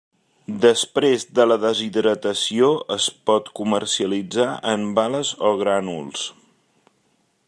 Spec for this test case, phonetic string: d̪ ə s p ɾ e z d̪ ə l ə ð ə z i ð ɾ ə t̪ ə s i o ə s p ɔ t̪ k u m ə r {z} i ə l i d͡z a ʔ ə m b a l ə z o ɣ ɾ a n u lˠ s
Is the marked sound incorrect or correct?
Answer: incorrect